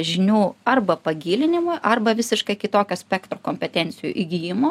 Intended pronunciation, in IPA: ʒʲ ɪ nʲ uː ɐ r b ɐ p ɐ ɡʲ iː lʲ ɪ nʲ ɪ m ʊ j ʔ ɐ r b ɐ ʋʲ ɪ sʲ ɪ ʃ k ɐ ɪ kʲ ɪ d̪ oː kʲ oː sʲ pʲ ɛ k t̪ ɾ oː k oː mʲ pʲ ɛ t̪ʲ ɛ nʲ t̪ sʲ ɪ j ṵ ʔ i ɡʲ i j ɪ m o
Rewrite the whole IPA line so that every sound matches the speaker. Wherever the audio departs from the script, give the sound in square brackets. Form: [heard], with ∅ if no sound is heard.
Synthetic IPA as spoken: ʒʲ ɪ nʲ uː ɐ r b ɐ p ɐ ɡʲ iː lʲ ɪ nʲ ɪ m ʊ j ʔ ɐ r b ɐ ʋʲ ɪ sʲ ɪ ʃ k ɐ ɪ kʲ ɪ [t̪] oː kʲ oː sʲ pʲ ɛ k t̪ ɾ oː k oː mʲ pʲ ɛ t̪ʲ ɛ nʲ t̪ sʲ ɪ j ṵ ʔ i ɡʲ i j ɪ m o